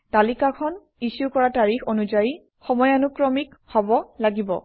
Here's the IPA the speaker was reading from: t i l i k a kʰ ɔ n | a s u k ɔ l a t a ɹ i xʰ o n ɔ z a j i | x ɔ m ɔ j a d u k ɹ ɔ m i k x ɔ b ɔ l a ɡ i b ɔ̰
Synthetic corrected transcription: t a l i k a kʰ ɔ n | i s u k ɔ ɹ a t a ɹ i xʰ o n u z a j i | x ɔ m ɔ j a n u k ɹ ɔ m i k h ɔ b ɔ l a ɡ i b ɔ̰